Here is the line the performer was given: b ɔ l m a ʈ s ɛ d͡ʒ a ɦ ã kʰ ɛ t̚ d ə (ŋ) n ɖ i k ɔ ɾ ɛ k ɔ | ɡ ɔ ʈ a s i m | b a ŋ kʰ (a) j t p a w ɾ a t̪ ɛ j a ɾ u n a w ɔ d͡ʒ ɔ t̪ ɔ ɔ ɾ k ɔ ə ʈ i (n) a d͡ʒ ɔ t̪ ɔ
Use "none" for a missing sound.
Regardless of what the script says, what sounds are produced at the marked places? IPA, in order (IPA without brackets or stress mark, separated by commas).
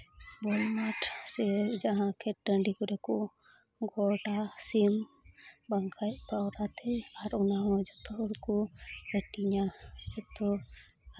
none, a, ɲ